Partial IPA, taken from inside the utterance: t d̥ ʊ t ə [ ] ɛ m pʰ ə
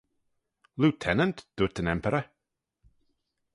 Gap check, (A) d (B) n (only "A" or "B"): B